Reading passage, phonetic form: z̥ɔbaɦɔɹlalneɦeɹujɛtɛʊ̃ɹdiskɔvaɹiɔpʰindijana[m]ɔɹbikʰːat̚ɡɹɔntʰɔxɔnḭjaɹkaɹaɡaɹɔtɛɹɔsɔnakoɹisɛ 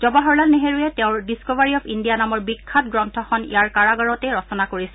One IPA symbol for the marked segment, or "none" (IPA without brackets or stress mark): m